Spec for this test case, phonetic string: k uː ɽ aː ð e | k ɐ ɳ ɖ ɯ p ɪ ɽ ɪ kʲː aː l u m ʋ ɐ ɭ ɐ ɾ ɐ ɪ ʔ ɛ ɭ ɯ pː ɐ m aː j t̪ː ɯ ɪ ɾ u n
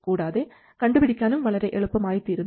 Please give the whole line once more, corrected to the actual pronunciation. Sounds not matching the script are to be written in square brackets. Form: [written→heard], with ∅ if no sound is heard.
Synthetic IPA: k uː ɽ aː ð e | k ɐ ɳ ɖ ɯ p ɪ ɽ ɪ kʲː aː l [u→ɯ] m ʋ ɐ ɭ ɐ ɾ ɐ ɪ ʔ ɛ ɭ ɯ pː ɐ m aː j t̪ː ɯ ɪ ɾ [u→ɯ] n